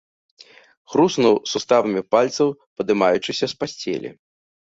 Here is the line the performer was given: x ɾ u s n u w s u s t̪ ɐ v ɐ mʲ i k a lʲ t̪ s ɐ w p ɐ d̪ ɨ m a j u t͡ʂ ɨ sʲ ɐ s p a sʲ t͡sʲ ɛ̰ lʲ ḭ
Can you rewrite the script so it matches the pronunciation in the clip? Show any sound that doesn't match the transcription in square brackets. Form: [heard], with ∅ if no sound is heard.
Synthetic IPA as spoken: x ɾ u s n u w s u s t̪ [a] v ɐ mʲ i [p] a lʲ t̪ s ɐ w p ɐ d̪ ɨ m a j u t͡ʂ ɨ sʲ ɐ s p a sʲ t͡sʲ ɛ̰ lʲ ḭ